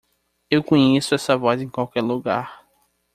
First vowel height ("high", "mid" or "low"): mid